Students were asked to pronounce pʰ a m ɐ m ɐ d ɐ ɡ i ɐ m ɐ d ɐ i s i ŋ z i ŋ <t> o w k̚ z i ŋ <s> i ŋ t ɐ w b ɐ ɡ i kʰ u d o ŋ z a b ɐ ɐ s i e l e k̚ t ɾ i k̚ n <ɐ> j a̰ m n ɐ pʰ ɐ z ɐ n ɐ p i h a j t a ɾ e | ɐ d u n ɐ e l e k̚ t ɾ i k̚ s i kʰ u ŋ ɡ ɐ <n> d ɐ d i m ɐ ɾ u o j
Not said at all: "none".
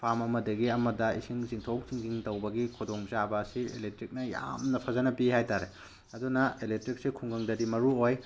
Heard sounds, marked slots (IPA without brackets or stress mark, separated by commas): tʰ, z, ɐ, ŋ